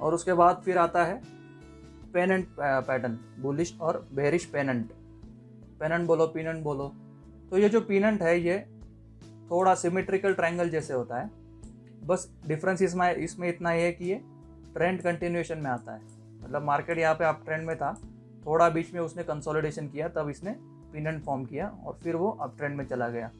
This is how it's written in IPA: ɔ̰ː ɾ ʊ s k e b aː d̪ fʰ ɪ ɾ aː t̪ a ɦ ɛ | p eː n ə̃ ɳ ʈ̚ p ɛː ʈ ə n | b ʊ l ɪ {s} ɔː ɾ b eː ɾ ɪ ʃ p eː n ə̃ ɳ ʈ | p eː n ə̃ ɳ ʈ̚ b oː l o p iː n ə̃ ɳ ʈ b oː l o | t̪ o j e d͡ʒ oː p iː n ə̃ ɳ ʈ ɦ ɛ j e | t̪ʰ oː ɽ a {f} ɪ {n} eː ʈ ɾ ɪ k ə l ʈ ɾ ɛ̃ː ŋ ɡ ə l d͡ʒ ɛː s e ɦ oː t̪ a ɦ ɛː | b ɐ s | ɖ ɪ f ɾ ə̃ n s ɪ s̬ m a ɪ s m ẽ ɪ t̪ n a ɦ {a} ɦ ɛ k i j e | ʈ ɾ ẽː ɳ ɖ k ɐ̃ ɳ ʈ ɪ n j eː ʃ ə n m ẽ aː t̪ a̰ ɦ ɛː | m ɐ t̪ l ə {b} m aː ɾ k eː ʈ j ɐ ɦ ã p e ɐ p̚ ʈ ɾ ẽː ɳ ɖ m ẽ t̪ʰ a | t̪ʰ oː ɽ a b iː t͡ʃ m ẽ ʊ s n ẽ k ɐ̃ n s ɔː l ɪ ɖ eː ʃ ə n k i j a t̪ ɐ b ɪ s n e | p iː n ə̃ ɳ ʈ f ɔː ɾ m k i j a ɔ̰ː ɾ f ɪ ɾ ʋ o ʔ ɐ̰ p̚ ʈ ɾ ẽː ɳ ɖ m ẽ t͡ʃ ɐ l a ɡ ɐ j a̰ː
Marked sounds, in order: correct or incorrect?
incorrect: ʃ, incorrect: s, incorrect: m, incorrect: i, correct

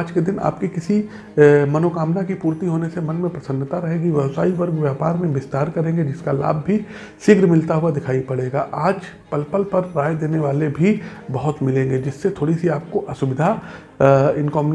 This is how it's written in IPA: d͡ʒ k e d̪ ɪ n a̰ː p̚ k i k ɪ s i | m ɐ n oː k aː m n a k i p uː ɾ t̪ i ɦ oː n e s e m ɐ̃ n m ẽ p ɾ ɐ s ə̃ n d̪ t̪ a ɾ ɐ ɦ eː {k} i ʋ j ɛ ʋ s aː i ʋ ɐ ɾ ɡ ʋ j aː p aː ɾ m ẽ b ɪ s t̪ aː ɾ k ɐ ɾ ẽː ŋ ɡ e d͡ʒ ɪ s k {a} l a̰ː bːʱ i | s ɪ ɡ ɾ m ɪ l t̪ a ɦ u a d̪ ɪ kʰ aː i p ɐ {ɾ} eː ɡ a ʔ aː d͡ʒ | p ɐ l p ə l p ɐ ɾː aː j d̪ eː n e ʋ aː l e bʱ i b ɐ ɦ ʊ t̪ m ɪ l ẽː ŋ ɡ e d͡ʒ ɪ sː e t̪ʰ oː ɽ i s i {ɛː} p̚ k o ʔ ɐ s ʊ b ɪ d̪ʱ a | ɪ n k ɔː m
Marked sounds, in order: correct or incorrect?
incorrect: ɡ, correct, incorrect: ɽ, incorrect: aː

